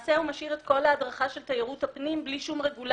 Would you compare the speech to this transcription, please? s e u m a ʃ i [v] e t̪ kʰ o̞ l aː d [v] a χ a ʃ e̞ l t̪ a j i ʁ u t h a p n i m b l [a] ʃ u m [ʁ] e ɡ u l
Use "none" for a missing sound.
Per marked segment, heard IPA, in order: ʁ, ʁ, i, ʁ

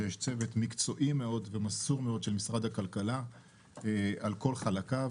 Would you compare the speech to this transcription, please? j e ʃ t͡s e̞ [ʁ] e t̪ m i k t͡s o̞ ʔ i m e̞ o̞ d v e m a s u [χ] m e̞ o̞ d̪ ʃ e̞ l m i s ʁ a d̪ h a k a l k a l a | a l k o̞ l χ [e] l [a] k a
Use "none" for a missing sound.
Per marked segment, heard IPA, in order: v, ʁ, a, a

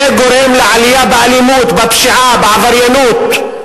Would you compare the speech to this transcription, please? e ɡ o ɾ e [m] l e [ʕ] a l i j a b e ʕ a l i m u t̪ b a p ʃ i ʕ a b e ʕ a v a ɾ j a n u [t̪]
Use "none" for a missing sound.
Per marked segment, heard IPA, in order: m, ʕ, t̪

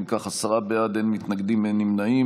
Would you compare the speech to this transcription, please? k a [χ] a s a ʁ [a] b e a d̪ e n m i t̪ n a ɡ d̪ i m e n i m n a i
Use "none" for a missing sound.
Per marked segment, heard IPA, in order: χ, a

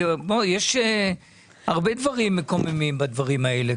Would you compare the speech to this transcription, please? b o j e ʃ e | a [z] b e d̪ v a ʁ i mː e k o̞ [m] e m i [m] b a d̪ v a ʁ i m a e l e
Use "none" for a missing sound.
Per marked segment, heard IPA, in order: ʁ, m, m

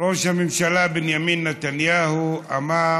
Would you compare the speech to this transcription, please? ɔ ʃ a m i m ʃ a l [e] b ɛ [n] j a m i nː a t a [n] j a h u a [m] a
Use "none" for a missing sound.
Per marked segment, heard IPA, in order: a, n, n, m

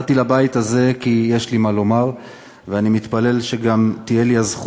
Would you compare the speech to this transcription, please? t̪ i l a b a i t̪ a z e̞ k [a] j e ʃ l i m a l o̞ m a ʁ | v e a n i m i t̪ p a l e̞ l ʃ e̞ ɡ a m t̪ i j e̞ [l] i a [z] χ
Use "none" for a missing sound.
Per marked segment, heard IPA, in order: i, l, z

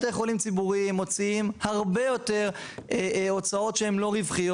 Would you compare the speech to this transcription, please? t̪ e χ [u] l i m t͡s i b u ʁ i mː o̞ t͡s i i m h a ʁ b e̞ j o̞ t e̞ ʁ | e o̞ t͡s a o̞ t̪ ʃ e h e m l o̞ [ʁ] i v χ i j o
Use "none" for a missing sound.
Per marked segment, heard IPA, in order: o, ʁ

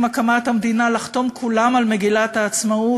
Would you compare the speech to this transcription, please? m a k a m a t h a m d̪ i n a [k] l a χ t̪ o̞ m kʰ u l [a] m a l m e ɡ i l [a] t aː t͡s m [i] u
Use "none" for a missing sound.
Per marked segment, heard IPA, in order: none, a, a, a

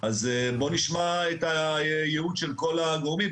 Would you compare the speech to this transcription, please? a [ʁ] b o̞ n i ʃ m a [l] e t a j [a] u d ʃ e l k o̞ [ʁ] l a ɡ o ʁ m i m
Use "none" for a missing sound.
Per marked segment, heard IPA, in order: z, none, e, none

